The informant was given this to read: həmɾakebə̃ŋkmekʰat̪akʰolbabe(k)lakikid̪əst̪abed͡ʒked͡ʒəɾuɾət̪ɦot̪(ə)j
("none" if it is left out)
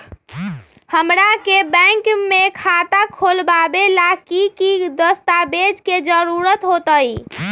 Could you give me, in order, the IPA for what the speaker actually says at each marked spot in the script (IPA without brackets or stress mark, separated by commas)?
none, ə